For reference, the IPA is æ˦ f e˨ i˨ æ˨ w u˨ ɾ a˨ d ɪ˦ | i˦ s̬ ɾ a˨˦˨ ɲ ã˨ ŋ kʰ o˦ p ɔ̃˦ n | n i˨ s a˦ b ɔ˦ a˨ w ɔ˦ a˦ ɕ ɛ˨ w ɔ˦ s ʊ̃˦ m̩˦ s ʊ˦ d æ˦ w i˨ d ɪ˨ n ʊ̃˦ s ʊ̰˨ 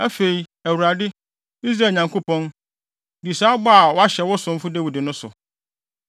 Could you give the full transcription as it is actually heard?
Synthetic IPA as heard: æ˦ f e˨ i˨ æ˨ w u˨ ɾ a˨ d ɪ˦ | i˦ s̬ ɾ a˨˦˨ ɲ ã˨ ŋ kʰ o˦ p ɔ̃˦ n | d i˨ s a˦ b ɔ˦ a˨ w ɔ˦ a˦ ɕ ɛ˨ w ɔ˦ s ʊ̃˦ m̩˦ f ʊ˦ d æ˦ w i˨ d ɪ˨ n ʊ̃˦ s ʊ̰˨